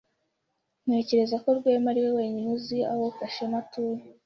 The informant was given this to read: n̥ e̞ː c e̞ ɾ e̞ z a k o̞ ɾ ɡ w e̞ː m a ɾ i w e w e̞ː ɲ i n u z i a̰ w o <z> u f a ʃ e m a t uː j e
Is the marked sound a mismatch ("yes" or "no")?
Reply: yes